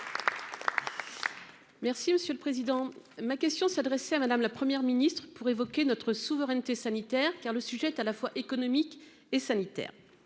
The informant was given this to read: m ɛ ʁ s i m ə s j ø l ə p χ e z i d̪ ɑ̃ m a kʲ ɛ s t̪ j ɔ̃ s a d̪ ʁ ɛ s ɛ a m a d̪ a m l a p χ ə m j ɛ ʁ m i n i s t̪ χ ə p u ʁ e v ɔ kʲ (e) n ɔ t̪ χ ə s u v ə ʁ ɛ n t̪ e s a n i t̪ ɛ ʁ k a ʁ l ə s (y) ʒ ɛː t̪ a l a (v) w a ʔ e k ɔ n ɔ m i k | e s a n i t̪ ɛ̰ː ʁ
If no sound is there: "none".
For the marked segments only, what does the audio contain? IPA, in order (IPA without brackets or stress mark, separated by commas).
e, y, f